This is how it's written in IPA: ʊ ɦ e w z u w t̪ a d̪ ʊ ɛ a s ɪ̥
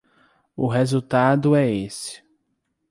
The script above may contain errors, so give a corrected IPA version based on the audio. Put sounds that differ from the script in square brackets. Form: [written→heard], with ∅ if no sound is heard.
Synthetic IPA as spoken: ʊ ɦ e [w→∅] z u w t̪ a d̪ ʊ ɛ [a→e] s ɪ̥